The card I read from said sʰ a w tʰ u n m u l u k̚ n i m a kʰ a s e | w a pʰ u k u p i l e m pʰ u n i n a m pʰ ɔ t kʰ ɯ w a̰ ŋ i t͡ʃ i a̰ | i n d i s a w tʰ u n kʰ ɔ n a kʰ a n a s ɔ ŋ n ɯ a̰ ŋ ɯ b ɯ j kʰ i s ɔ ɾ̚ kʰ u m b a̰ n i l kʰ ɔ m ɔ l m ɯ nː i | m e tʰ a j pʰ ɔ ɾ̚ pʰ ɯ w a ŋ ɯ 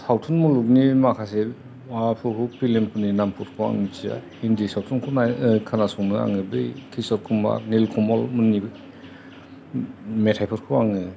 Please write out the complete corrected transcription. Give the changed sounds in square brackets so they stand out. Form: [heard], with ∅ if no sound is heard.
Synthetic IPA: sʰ a w tʰ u n m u l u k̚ n i m a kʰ a s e | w a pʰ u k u p i l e m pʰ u n i n a m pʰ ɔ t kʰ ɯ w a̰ ŋ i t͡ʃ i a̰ | i n d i s a w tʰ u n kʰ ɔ n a kʰ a n a s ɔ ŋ n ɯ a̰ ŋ ɯ b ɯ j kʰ i s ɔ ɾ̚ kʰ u m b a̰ n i l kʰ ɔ m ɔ l m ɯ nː i | m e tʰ a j pʰ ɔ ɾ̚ [kʰ] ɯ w a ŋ ɯ